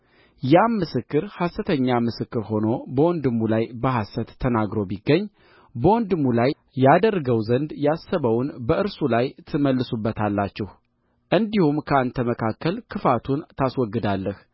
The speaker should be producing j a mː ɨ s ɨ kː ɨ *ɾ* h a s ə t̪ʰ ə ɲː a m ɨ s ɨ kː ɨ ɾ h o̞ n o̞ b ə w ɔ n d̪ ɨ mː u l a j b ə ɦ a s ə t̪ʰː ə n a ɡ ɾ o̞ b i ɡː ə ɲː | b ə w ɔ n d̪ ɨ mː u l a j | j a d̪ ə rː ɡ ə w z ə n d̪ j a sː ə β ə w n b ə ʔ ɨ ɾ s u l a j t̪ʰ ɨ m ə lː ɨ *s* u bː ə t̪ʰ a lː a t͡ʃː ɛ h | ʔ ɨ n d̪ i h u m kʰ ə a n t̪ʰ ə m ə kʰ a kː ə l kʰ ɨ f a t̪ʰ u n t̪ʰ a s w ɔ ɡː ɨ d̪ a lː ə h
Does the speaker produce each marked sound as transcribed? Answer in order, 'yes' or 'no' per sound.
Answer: yes, yes

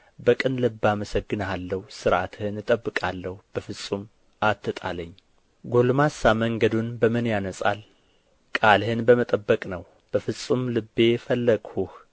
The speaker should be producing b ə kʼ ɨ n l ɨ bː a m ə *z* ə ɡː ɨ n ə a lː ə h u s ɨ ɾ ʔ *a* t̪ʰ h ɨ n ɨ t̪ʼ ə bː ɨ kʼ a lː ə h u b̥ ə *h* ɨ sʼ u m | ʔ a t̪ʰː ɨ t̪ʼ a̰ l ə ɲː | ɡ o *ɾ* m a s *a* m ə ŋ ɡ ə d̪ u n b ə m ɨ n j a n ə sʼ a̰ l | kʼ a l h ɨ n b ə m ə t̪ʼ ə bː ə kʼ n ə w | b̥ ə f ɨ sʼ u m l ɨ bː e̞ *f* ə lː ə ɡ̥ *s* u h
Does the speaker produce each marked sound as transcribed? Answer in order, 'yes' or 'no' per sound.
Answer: no, yes, no, no, yes, yes, no

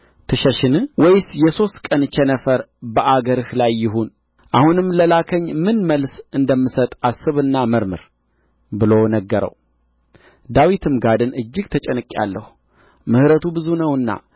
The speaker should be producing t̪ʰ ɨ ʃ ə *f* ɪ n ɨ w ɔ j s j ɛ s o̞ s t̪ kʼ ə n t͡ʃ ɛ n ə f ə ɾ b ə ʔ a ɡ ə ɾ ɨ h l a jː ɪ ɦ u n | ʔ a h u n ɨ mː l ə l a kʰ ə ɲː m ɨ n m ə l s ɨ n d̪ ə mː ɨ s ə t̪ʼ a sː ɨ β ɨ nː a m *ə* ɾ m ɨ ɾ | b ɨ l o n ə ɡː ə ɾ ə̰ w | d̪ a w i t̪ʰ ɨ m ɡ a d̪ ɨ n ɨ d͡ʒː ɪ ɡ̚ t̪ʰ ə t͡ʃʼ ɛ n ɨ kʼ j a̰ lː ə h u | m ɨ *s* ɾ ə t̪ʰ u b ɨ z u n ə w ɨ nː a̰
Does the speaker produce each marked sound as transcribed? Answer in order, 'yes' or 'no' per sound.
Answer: no, yes, no

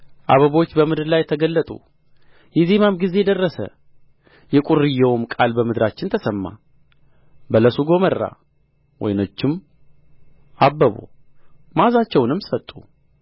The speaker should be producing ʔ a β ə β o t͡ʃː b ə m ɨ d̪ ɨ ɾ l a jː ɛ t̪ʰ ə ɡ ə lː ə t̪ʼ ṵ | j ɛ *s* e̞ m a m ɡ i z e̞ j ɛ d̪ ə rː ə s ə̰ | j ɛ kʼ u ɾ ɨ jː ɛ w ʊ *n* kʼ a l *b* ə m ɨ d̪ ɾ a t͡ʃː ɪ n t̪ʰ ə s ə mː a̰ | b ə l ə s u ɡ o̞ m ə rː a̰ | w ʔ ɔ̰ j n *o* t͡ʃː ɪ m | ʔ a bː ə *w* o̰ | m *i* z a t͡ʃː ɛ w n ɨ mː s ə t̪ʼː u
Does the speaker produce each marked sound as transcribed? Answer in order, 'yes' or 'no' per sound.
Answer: no, no, yes, yes, no, no

